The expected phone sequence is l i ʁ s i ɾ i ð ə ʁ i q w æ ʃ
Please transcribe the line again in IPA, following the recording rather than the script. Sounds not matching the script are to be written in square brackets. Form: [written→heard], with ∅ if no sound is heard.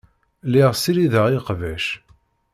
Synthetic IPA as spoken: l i ʁ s i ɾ i ð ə ʁ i q [w→v] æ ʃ